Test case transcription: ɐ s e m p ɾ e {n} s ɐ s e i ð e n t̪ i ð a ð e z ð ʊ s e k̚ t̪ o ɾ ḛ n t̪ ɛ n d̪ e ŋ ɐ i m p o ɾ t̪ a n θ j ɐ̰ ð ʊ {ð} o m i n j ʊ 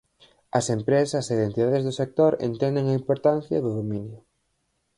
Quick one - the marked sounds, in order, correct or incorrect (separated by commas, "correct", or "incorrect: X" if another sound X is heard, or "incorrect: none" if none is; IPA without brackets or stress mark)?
incorrect: none, correct